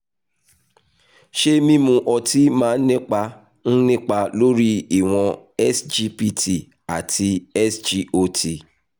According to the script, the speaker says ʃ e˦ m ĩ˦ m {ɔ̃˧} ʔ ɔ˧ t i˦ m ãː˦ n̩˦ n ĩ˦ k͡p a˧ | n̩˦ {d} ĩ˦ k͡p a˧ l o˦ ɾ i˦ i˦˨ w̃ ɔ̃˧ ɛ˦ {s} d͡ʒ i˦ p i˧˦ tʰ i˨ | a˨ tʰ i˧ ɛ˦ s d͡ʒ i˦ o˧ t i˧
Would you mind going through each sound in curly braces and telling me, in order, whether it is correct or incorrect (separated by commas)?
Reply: incorrect, incorrect, correct